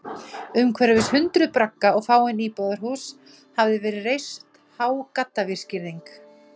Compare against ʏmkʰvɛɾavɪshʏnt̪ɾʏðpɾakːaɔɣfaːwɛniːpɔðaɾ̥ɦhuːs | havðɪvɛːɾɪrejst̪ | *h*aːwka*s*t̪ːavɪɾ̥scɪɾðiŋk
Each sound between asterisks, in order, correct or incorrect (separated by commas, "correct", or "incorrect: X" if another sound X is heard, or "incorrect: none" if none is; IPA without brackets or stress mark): correct, incorrect: none